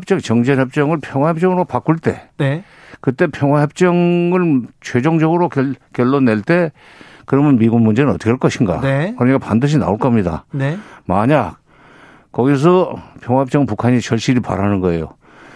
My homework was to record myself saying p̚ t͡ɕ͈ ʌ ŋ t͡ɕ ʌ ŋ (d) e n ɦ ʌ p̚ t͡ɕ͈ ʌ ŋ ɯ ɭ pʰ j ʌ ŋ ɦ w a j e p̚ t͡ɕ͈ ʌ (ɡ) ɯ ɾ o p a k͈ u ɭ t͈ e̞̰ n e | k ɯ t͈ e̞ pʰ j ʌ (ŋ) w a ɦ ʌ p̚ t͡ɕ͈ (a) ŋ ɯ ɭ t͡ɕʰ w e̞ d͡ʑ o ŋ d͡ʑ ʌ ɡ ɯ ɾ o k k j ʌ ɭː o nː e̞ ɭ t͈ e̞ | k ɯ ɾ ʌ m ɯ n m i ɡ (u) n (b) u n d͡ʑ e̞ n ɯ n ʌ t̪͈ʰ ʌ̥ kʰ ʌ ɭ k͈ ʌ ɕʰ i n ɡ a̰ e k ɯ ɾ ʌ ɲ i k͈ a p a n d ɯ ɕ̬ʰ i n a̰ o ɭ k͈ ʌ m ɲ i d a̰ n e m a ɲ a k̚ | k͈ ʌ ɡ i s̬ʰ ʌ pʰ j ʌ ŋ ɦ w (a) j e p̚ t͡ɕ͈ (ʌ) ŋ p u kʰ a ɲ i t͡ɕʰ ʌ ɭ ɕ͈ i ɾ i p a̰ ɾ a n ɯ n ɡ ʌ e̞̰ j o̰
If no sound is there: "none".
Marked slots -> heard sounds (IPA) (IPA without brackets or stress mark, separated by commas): d͡ʑ, ŋ, ŋ, ʌ, u, m, a, ʌ